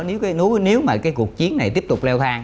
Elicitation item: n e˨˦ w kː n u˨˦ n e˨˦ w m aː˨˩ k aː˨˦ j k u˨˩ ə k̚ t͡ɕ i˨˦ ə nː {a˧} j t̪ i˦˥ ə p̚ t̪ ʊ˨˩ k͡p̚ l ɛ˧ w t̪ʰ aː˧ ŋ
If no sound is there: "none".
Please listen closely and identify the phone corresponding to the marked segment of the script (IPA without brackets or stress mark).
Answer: a˨˩